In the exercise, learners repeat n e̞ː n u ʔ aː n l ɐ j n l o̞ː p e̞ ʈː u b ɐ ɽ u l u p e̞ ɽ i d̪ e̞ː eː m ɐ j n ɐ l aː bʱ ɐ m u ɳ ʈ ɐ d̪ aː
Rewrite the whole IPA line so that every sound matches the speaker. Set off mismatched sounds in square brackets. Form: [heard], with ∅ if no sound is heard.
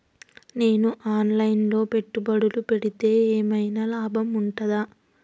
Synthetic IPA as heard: n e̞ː n u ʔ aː n l ɐ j n l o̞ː p e̞ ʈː u b ɐ ɽ u l u p e̞ ɽ i [t̪] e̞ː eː m ɐ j n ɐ l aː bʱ ɐ m u ɳ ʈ ɐ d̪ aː